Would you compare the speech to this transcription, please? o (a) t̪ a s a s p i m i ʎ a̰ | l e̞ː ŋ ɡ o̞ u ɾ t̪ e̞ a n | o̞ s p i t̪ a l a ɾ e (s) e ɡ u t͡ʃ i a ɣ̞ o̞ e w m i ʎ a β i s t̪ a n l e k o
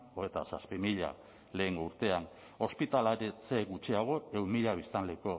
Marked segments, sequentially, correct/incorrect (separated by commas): incorrect, incorrect